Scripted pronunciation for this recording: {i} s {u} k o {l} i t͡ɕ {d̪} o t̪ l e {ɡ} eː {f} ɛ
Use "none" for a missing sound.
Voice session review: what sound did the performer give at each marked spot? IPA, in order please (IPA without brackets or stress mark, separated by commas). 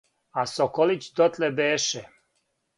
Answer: a, o, l, d̪, b, ʃ